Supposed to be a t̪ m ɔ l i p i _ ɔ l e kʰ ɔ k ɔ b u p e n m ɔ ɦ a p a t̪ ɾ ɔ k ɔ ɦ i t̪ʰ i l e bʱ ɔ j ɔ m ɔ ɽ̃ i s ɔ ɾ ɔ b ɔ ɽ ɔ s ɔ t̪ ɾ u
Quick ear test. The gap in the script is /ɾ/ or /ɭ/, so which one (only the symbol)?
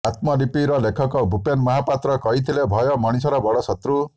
ɾ